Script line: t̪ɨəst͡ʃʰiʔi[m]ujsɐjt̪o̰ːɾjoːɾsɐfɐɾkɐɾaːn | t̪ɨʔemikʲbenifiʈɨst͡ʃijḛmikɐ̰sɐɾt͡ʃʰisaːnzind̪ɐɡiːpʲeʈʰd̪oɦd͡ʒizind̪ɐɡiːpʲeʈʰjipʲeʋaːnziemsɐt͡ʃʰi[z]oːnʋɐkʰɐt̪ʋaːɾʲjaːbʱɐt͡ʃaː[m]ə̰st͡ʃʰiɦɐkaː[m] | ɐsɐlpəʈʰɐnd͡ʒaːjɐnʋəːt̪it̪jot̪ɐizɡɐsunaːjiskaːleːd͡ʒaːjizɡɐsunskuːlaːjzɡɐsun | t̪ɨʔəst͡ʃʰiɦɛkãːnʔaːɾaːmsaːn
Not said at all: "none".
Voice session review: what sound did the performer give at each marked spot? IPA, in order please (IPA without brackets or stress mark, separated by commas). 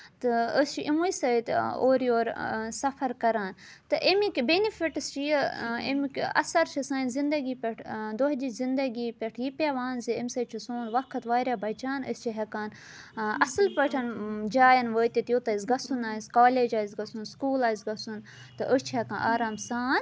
m, s, n, n